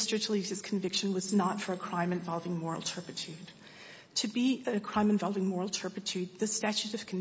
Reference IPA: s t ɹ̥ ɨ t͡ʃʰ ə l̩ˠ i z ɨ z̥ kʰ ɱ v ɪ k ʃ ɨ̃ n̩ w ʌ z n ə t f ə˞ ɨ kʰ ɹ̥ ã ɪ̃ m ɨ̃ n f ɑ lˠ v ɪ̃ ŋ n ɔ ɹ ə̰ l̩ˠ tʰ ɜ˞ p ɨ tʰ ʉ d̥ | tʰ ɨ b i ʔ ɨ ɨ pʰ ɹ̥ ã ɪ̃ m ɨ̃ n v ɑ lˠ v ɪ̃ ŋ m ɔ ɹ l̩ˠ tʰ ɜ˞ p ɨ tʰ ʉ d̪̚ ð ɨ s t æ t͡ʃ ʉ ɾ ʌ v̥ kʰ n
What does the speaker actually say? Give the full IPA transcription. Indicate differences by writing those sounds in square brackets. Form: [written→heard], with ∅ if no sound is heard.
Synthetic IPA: s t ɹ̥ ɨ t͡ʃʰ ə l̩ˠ i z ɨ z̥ kʰ ɱ v ɪ k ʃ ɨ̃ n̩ w ʌ z n ə t f ə˞ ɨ kʰ ɹ̥ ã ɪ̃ m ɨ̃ n [f→v] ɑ lˠ v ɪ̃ ŋ [n→m] ɔ ɹ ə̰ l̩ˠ tʰ ɜ˞ p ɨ tʰ ʉ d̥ | tʰ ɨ b i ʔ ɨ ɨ [pʰ→kʰ] ɹ̥ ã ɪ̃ m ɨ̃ n v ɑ lˠ v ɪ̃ ŋ m ɔ ɹ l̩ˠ tʰ ɜ˞ p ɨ tʰ ʉ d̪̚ ð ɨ s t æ t͡ʃ ʉ ɾ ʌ v̥ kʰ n